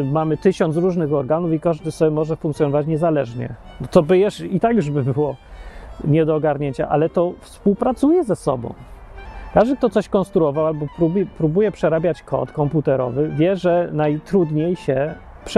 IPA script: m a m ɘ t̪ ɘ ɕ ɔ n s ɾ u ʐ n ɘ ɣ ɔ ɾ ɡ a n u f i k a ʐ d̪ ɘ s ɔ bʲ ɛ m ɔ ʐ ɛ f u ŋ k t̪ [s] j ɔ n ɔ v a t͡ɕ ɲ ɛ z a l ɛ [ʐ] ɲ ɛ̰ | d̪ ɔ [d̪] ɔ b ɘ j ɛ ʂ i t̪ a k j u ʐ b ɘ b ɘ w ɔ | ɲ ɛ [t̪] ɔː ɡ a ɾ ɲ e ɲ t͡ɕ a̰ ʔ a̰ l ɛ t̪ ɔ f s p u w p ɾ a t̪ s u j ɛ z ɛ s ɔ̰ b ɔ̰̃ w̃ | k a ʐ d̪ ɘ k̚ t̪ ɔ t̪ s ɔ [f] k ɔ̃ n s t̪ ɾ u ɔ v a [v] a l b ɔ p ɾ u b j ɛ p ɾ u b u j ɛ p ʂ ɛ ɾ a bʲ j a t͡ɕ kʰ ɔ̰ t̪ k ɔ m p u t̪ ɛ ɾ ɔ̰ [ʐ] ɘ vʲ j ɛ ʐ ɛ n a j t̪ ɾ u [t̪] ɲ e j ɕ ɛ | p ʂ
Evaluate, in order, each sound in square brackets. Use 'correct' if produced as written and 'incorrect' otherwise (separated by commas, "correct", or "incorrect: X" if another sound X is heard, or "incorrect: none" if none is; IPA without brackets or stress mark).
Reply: correct, correct, incorrect: t̪, incorrect: d̪, incorrect: ɕ, incorrect: w, incorrect: v, incorrect: d̪